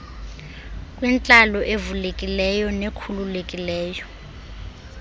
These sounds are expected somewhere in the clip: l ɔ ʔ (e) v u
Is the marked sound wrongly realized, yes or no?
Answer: no